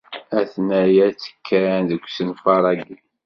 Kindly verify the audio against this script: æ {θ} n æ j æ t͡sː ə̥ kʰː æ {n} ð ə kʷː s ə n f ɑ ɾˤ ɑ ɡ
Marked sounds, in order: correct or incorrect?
correct, correct

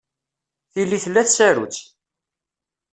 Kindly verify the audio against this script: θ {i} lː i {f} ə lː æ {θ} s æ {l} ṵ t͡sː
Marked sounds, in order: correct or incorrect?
correct, incorrect: θ, correct, incorrect: ɾ

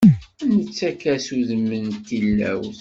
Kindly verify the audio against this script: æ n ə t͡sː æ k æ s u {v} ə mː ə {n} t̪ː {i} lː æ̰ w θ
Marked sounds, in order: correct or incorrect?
incorrect: ð, correct, correct

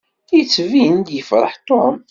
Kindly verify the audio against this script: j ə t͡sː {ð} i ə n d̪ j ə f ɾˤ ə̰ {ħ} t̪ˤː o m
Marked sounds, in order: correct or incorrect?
incorrect: v, correct

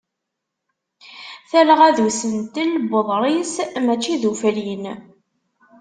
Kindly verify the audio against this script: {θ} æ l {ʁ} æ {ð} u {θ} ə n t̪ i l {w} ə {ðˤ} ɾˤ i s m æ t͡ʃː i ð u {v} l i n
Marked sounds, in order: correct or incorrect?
correct, correct, correct, incorrect: s, incorrect: b, correct, incorrect: f

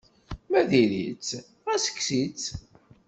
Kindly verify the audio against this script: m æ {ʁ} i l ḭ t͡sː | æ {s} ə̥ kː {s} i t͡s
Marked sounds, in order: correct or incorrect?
incorrect: ð, correct, correct

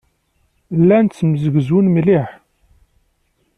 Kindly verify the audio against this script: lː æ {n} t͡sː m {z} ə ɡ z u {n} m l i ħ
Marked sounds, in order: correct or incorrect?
correct, correct, correct

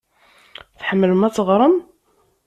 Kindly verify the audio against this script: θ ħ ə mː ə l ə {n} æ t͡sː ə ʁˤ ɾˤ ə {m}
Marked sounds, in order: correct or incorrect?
incorrect: m, correct

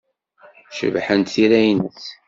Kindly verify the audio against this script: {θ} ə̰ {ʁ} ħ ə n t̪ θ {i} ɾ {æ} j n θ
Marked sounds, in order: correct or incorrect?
incorrect: ʃ, incorrect: v, correct, correct

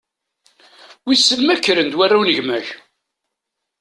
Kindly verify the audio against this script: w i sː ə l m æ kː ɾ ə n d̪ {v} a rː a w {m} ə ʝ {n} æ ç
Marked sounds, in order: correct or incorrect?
incorrect: w, incorrect: n, incorrect: m

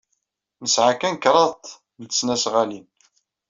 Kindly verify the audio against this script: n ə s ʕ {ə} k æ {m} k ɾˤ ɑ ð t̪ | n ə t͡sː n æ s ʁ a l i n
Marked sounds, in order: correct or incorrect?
incorrect: a, incorrect: n

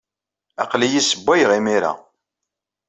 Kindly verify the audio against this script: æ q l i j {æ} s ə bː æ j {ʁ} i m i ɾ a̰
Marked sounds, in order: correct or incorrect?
incorrect: i, correct

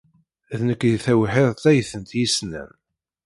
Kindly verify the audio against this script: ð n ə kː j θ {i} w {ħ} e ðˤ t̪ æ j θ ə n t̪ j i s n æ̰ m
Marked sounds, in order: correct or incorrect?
incorrect: æ, correct

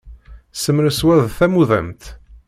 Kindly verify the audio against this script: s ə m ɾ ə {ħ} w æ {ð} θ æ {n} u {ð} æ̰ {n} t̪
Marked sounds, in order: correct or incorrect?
incorrect: s, correct, incorrect: m, correct, incorrect: m

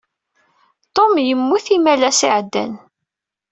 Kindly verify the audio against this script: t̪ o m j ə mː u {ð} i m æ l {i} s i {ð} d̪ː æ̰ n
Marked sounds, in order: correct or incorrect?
incorrect: θ, incorrect: æ, incorrect: ʕ

